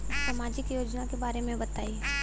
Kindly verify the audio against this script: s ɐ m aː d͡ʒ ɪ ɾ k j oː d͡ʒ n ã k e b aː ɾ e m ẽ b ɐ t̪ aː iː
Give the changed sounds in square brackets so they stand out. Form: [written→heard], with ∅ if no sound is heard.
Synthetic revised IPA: s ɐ m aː d͡ʒ ɪ [ɾ→∅] k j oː d͡ʒ n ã k e b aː ɾ e m ẽ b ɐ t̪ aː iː